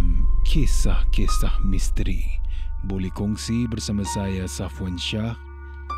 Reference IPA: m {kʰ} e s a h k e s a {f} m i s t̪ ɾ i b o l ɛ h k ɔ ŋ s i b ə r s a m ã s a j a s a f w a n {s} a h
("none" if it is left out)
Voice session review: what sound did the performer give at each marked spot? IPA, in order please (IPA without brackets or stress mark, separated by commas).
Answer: kʰ, h, ʃ